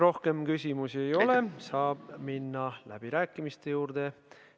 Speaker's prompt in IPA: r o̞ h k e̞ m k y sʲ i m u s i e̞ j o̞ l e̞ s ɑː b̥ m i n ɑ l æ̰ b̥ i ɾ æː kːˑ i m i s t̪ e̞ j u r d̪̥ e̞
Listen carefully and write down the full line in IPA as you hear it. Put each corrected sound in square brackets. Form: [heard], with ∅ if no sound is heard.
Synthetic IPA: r o̞ h k e̞ m k y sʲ i m u s i e̞ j o̞ l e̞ s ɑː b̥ m i [nː] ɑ l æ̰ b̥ i ɾ æː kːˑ i m i s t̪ e̞ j [uː] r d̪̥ e̞